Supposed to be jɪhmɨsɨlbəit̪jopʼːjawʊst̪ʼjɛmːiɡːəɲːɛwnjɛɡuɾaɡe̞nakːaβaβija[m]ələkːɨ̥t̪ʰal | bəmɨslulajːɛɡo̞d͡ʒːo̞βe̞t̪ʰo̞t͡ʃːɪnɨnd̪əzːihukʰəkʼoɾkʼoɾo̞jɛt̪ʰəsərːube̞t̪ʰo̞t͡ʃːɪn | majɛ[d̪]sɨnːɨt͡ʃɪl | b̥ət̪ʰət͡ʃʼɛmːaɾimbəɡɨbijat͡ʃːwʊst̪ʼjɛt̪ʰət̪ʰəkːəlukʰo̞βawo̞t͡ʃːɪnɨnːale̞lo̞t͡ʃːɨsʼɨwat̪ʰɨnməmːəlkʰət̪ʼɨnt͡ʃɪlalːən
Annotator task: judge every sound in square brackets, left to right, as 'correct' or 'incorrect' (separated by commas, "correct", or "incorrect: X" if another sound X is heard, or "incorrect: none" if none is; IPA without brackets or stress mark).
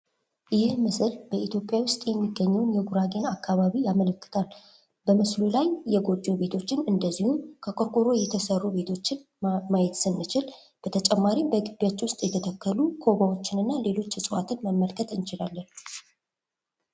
correct, incorrect: t̪